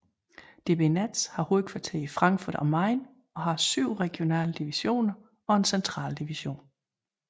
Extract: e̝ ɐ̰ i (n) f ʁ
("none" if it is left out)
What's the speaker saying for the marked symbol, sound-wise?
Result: none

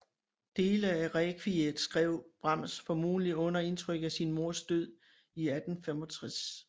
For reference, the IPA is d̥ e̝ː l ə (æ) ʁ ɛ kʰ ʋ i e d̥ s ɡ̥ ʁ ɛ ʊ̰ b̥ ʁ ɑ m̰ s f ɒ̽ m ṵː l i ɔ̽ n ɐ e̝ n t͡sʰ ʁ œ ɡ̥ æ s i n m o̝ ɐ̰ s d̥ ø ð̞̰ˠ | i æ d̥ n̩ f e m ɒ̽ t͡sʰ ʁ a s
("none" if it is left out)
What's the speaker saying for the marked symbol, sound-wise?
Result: æ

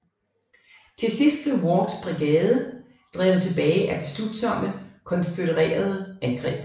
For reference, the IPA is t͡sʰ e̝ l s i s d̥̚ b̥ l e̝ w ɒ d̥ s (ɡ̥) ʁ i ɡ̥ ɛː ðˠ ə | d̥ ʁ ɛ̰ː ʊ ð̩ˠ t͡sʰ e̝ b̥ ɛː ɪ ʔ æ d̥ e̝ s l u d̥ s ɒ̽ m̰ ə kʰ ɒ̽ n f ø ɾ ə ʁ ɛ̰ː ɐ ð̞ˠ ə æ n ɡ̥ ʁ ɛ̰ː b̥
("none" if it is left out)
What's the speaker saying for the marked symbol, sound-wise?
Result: b̥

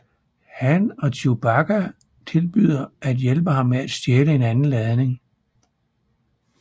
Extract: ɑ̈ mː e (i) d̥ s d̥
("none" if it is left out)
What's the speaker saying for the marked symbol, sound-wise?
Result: æ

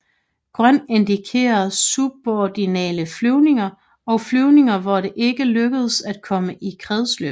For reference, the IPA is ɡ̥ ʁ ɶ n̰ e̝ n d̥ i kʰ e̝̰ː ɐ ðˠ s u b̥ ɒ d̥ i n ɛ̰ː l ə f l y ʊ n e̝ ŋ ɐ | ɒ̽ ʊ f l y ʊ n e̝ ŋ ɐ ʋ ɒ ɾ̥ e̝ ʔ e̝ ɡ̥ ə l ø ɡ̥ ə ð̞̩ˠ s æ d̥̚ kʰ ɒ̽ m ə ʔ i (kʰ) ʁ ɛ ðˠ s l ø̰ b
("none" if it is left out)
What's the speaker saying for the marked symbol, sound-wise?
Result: kʰ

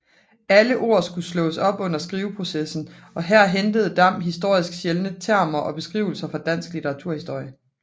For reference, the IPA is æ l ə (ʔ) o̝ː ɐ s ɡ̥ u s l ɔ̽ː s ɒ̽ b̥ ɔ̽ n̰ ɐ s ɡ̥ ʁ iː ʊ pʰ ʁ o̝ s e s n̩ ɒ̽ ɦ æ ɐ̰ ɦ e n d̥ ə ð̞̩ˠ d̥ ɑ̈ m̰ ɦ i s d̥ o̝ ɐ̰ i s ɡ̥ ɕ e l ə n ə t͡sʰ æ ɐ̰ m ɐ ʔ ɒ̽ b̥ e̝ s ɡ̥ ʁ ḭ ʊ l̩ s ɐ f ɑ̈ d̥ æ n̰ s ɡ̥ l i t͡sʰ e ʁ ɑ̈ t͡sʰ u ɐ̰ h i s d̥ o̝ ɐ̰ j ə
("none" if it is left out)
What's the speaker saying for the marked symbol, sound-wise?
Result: ʔ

